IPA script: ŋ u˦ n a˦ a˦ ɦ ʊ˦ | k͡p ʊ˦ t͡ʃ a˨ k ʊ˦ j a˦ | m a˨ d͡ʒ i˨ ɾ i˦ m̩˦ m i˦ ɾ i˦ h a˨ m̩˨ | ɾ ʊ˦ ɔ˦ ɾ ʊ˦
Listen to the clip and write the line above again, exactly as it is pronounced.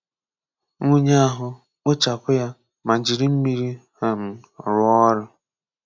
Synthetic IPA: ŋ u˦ ɲ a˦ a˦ ɦ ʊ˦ | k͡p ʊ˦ t͡ʃ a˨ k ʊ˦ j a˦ | m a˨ d͡ʒ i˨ ɾ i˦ m̩˦ m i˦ ɾ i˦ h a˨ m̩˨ | ɾ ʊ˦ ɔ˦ ɾ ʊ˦